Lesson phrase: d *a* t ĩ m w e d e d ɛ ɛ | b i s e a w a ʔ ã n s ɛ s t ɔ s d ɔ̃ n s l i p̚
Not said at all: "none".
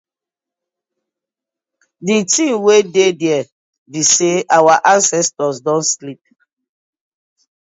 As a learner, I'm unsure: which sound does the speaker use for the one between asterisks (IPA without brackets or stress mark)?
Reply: i